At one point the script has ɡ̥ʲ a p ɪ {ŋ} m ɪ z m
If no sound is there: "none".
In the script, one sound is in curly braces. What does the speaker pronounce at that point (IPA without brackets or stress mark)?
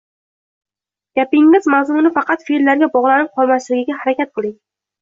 ŋ